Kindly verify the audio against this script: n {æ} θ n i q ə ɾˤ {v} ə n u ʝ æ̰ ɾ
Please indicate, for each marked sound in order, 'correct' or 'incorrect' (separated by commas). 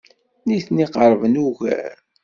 incorrect, correct